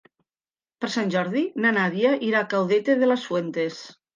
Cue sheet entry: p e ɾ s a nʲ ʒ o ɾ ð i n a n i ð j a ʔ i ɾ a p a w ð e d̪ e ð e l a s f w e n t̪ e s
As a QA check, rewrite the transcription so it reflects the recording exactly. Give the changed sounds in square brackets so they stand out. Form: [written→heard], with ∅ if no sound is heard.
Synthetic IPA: p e ɾ s a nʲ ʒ [o→ɔ] ɾ ð i n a n [i→a] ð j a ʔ i ɾ a [p→k] a w ð e [d̪→t̪] e ð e l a s f w e n t̪ e s